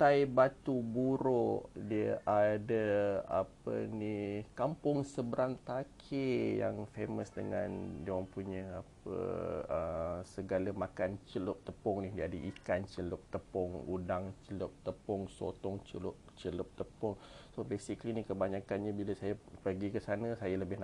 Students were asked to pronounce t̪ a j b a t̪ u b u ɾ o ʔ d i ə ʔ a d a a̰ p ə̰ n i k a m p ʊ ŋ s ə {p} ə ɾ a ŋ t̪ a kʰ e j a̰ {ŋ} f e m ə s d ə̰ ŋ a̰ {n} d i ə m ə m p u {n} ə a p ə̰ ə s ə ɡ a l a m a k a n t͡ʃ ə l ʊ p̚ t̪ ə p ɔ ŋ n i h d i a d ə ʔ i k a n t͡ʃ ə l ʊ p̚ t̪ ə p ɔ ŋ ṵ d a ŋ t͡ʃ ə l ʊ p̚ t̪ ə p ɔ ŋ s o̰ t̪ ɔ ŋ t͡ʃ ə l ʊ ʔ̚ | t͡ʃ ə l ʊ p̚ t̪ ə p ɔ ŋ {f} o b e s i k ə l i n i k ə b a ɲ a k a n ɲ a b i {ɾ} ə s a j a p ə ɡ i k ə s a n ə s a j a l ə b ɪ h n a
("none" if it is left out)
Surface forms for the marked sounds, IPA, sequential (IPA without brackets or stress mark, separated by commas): b, ŋ, n, ɲ, s, l